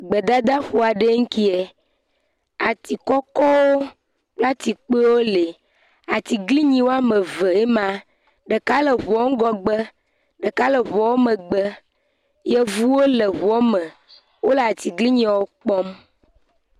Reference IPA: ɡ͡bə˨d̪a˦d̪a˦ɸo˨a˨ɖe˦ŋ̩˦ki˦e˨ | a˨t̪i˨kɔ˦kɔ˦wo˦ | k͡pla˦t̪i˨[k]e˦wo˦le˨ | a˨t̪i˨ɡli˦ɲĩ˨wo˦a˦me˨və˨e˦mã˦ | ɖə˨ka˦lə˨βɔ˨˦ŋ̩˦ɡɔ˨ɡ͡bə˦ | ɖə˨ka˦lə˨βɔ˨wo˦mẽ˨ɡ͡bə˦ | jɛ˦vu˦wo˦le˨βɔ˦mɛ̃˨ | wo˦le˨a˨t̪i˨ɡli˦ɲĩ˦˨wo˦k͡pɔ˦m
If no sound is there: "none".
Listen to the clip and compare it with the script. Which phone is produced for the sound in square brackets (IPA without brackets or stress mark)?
k͡p